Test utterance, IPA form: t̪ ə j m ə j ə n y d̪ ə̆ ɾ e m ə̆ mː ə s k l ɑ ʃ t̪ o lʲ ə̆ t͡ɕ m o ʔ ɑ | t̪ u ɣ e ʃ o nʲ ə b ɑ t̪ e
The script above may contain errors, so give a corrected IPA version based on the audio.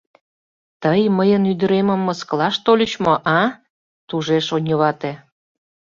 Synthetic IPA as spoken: t̪ ə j m ə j ə n y d̪ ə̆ ɾ e m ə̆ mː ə s k l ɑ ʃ t̪ o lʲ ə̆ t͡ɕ m o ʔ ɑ | t̪ u ʒ e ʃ o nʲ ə β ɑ t̪ e

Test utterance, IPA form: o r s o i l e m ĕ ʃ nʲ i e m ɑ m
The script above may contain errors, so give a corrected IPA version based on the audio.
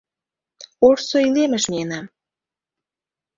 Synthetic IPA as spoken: o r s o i l e m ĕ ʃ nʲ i e n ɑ m

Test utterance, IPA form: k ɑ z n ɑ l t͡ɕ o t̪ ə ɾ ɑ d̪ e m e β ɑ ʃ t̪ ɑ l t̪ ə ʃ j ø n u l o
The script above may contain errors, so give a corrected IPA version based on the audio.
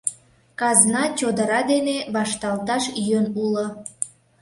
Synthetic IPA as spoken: k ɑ z n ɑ t͡ɕ o d̪ ə ɾ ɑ d̪ e n e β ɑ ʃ t̪ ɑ l t̪ ɑ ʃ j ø n u l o

